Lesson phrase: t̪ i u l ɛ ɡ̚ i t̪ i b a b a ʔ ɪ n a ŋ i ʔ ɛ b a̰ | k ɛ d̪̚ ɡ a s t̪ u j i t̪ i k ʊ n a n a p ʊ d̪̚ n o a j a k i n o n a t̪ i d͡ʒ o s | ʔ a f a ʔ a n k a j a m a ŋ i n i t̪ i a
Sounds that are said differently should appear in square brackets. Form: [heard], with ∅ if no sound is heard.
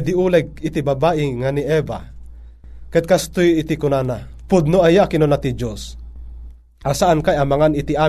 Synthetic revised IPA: [d̪] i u l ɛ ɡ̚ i t̪ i b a b a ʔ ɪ [ŋ] a [n] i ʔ ɛ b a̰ | k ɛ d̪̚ [k] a s t̪ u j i t̪ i k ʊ n a n a p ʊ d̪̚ n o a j a k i n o n a t̪ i d͡ʒ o s | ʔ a [s] a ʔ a n k a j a m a ŋ [a] n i t̪ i a